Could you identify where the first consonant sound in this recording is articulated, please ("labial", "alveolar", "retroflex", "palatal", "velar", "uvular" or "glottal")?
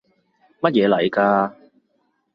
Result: labial